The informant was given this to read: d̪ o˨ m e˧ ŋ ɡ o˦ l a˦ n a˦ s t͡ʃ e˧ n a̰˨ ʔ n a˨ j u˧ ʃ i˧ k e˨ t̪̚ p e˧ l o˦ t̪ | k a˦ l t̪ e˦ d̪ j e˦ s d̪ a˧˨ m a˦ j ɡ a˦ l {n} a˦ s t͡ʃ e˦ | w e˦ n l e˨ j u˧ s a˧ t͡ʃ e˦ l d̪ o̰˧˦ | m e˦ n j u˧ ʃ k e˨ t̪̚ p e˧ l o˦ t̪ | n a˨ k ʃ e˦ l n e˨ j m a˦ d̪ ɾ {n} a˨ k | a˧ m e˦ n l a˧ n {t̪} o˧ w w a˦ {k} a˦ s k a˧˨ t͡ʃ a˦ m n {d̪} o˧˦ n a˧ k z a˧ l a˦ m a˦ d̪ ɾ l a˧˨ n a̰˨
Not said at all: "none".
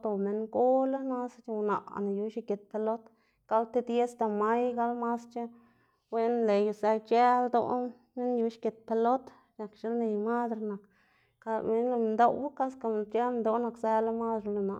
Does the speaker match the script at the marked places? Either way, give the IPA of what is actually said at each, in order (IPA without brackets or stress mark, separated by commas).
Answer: m, n, d̪, k, d̪